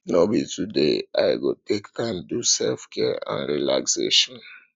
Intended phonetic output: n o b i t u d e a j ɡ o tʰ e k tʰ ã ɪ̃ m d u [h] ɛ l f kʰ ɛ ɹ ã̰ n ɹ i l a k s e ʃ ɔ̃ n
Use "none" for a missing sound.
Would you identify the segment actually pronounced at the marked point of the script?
s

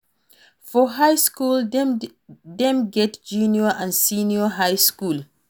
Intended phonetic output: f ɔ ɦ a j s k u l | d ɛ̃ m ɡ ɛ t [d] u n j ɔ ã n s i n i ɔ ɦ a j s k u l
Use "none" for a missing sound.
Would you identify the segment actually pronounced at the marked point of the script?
d͡ʒ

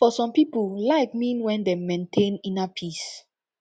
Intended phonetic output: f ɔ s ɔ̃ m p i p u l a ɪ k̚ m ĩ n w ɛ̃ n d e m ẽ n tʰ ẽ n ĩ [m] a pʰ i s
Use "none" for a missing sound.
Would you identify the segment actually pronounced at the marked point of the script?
n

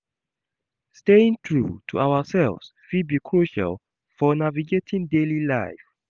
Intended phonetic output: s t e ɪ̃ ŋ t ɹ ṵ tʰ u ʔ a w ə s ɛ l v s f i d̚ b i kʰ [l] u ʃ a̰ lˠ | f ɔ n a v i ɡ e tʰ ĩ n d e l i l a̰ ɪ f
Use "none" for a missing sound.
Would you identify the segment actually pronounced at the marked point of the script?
ɹ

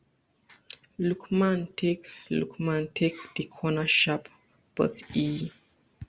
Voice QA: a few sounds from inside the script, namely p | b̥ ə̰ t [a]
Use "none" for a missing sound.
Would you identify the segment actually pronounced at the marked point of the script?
i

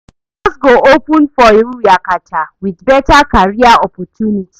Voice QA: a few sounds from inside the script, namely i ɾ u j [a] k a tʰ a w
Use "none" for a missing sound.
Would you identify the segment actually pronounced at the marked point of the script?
a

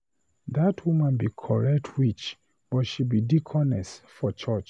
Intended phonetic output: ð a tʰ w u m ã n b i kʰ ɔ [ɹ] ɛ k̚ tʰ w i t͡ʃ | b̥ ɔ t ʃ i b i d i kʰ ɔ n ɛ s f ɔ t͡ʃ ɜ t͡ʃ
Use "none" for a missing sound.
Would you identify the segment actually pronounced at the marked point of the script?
ɹ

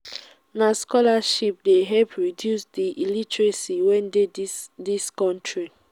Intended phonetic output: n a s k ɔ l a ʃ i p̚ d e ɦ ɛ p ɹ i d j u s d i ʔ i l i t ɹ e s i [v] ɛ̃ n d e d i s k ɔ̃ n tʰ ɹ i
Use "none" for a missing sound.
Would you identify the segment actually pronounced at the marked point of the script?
w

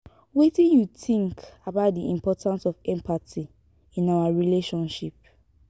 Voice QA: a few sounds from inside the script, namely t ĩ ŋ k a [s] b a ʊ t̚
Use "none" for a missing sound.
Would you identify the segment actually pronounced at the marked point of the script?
none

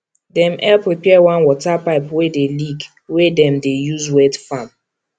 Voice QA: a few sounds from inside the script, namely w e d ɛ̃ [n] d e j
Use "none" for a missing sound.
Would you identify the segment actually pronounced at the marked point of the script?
m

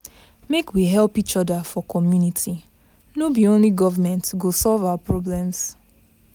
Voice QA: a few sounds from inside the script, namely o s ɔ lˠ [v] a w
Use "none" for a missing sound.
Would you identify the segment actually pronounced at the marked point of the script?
v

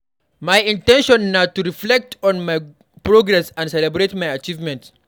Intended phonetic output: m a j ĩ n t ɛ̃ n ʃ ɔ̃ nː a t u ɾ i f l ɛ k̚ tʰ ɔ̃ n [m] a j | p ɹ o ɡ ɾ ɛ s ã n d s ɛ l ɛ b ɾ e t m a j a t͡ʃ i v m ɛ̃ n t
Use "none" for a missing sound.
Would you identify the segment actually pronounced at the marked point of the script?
m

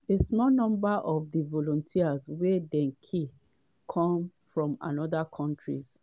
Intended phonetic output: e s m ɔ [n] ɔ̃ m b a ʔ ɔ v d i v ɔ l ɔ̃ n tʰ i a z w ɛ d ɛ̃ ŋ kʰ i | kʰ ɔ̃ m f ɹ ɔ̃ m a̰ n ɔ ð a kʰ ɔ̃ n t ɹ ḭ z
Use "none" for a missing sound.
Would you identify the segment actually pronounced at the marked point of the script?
n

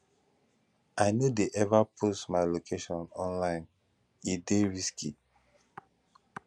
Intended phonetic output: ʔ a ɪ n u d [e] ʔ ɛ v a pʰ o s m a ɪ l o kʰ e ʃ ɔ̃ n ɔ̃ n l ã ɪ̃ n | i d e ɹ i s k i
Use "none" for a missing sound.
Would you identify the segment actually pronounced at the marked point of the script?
e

